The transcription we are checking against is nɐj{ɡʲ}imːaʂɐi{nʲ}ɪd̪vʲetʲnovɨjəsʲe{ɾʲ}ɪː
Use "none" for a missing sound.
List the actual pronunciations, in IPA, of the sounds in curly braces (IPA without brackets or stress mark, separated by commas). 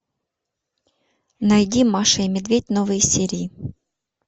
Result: dʲ, mʲ, ɾʲ